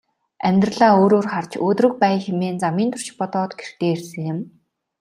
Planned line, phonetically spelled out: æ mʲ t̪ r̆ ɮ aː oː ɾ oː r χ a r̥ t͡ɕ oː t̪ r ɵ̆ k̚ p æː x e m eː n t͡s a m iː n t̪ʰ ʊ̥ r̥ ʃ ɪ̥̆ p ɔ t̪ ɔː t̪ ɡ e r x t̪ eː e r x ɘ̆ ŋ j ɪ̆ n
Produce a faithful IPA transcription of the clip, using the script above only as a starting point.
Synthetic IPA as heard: æ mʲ t̪ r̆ ɮ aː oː ɾ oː r χ a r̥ t͡ɕ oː t̪ r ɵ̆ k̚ p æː x e m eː n t͡s a m iː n t̪ʰ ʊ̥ r̥ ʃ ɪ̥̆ p ɔ t̪ ɔː t̪ ɡ e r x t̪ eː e r s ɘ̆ ŋ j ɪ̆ m